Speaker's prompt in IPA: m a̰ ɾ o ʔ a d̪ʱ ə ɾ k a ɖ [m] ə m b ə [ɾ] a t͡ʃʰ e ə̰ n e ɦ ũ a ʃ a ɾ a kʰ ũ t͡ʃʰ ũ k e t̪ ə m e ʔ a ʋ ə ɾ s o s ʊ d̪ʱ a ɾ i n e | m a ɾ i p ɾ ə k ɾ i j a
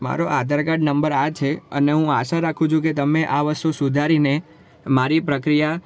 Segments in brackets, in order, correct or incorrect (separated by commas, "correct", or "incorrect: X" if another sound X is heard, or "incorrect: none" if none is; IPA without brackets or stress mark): incorrect: n, correct